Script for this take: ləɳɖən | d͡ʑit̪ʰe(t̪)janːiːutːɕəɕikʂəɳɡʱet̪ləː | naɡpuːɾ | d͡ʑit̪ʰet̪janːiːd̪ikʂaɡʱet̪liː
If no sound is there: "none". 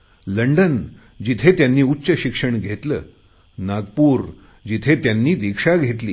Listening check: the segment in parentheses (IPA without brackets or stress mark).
t̪